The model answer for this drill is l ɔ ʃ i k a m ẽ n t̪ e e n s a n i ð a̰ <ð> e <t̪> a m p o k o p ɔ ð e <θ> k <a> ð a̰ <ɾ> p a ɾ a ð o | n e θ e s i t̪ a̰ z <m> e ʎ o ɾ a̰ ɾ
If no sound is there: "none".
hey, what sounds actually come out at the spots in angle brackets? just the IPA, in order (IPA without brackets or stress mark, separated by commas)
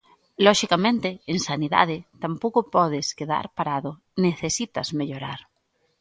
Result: ð, t̪, s, e, ɾ, m